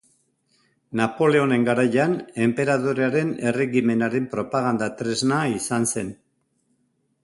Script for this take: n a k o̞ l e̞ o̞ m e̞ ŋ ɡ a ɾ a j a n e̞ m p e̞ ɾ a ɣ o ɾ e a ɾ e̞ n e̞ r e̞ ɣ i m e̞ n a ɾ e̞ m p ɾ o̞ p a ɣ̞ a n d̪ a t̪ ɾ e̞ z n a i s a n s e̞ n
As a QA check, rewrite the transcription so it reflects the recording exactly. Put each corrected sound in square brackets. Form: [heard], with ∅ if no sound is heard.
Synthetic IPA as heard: n a [p] o̞ l e̞ o̞ [n] e̞ ŋ ɡ a ɾ a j a n e̞ m p e̞ ɾ a [ð] o ɾ e a ɾ e̞ n e̞ r e̞ ɣ i m e̞ n a ɾ e̞ m p ɾ o̞ p a ɣ̞ a n d̪ a t̪ ɾ e̞ z n a i s a n s e̞ n